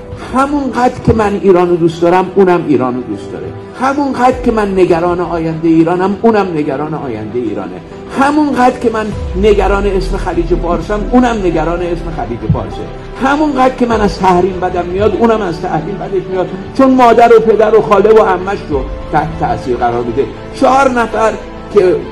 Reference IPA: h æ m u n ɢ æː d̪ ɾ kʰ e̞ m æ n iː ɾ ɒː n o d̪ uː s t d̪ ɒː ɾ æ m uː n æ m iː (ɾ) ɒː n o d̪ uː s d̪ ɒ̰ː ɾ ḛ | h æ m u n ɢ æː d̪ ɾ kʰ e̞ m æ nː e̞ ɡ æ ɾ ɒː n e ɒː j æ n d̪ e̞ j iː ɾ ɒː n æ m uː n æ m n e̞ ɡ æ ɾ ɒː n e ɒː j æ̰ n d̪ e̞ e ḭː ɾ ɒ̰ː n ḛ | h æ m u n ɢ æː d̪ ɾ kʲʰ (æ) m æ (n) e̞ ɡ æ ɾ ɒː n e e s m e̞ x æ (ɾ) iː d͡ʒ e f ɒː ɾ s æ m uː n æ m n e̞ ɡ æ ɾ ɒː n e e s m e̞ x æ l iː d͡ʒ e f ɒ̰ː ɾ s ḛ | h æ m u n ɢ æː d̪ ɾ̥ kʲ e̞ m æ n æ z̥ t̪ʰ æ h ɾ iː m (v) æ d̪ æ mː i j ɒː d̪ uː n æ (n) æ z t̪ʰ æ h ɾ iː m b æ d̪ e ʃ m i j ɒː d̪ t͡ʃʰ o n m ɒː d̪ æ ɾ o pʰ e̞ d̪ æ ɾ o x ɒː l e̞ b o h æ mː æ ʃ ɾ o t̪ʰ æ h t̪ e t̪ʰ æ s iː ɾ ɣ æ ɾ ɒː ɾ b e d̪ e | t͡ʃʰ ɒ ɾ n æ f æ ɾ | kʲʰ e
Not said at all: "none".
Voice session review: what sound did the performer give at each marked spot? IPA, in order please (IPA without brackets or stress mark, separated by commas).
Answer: ɾ, e, nː, l, b, m